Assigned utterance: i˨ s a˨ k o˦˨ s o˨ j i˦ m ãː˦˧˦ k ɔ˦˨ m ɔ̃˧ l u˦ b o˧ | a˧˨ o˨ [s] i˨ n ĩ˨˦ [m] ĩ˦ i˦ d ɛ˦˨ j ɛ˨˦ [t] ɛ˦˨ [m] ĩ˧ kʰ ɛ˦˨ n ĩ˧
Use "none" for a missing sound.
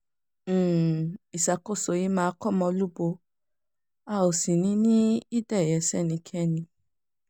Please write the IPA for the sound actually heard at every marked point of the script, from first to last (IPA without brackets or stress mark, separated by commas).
s, n, s, n